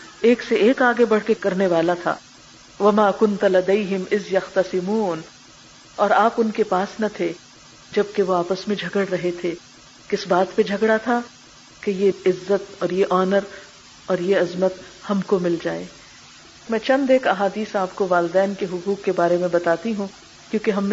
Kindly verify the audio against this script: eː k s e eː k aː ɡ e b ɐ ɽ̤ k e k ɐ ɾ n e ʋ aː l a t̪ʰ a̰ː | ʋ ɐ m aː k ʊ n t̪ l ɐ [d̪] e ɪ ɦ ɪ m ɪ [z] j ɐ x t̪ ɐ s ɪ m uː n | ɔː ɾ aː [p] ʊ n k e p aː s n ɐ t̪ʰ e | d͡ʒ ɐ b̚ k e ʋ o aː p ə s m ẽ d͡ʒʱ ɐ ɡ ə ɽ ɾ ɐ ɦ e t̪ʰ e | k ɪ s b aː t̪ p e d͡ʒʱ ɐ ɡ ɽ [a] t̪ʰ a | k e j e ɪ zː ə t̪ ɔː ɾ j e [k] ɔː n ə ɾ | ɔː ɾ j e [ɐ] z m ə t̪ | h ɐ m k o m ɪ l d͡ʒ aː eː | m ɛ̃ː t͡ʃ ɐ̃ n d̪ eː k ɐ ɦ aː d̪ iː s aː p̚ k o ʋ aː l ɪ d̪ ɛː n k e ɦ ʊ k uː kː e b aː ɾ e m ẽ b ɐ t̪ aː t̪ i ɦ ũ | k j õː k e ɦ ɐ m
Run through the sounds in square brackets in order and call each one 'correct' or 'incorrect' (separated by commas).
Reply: correct, correct, correct, correct, incorrect, correct